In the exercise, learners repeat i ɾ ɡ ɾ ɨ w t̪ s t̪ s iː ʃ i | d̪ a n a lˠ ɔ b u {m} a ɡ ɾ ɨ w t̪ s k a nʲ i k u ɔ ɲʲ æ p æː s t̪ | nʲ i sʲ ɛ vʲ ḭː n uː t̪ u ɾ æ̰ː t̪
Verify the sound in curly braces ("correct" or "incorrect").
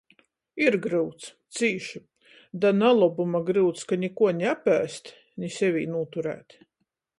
correct